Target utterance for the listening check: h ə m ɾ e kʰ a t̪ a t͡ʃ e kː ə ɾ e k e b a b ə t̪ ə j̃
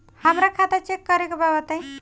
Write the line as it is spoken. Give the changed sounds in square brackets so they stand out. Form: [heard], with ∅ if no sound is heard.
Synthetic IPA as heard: h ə m ɾ [a] kʰ a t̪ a t͡ʃ e kː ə ɾ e k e b a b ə t̪ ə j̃